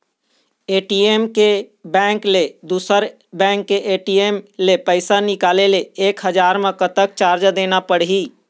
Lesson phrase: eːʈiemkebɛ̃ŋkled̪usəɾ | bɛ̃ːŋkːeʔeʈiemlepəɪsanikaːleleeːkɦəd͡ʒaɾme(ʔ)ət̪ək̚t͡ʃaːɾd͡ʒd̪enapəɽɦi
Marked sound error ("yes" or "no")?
yes